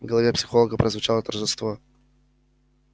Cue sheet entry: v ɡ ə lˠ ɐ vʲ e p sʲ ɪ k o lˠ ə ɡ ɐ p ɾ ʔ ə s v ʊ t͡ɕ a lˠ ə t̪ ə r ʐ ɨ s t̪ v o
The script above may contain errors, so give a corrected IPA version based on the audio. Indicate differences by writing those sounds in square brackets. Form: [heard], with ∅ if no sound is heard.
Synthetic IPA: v ɡ ə lˠ ɐ vʲ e p sʲ ɪ [x] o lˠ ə ɡ [ə] p ɾ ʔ ə [z] v ʊ t͡ɕ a lˠ ə t̪ ə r ʐ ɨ s t̪ v o